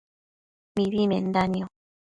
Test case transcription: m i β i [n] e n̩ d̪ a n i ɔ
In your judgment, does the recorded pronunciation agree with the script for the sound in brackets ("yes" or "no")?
no